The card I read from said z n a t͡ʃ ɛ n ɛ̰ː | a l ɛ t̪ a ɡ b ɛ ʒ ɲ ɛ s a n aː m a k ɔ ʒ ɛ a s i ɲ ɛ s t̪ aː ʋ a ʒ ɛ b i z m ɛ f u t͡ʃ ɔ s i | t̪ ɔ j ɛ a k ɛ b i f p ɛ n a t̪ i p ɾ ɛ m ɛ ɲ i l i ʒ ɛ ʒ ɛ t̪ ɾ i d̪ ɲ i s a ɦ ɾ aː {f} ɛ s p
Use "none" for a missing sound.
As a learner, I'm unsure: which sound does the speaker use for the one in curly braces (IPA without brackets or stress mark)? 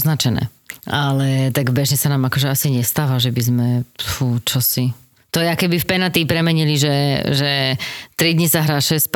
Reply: ʃ